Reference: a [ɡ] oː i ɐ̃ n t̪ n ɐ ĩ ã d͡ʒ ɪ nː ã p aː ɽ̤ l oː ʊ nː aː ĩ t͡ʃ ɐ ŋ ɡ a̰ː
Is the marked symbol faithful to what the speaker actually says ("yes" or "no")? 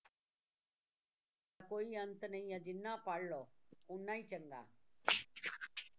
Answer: no